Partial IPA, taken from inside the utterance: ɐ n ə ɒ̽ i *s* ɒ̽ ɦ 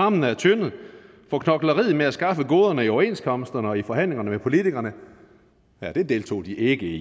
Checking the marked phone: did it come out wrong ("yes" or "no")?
yes